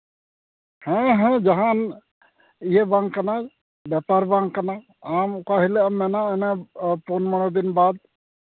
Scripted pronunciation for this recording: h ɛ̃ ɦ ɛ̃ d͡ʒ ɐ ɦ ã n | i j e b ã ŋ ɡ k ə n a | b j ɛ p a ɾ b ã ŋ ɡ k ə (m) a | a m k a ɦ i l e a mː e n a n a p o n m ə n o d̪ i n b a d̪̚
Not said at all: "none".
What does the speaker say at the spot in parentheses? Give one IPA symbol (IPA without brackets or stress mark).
n